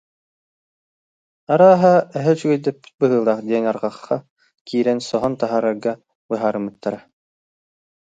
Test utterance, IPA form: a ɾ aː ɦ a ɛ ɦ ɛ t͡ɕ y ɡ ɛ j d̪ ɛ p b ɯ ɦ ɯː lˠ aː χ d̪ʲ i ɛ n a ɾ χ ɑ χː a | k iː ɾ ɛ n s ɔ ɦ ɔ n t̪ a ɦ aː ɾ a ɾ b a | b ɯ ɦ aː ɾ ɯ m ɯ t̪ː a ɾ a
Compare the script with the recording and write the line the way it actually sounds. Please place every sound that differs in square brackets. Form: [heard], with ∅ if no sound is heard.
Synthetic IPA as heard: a ɾ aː ɦ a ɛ ɦ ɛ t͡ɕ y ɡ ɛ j d̪ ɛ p b ɯ ɦ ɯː lˠ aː χ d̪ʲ i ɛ n a ɾ [ʁ] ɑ χː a | k iː ɾ ɛ n s ɔ ɦ ɔ n t̪ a ɦ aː ɾ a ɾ [ɡ] a | b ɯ ɦ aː ɾ ɯ m ɯ t̪ː a ɾ a